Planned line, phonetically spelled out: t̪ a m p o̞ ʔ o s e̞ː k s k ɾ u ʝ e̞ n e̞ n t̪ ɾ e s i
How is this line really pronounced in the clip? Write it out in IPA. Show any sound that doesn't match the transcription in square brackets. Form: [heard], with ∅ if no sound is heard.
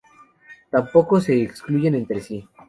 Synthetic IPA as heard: t̪ a m p o̞ [k] o s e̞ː k s k [l] u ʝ e̞ n e̞ n t̪ ɾ e s i